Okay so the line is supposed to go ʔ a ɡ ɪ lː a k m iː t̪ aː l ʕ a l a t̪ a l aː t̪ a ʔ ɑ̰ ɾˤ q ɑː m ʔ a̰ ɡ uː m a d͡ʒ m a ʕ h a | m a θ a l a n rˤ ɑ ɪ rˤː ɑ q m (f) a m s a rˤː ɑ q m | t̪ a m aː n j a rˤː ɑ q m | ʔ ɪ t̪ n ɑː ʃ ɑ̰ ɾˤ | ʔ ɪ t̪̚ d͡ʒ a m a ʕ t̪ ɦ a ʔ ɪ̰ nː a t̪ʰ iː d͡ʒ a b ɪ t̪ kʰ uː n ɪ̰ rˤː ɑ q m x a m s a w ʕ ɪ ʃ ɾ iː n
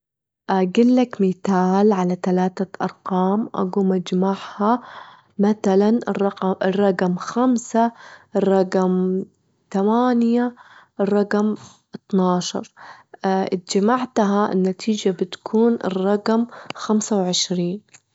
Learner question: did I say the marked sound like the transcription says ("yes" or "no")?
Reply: no